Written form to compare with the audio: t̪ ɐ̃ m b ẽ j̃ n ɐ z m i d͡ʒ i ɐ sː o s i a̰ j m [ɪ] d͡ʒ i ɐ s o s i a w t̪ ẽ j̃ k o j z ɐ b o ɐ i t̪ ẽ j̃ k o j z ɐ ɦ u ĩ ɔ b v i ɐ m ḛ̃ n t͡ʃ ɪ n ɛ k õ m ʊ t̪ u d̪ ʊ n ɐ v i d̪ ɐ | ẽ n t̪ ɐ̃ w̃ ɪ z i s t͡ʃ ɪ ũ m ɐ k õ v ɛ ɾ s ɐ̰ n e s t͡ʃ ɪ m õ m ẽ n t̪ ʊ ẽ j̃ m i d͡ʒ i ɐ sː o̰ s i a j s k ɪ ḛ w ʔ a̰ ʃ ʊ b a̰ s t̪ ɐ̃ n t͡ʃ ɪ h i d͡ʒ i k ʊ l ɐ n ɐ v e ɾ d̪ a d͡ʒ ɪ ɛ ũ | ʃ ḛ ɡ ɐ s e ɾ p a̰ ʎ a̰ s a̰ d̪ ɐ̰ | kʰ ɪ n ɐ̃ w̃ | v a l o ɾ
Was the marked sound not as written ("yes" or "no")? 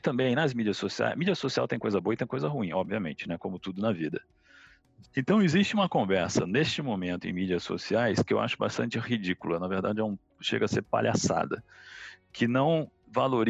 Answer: yes